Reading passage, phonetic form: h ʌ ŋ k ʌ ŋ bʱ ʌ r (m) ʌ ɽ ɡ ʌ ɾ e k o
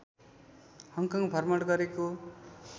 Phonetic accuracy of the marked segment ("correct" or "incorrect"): correct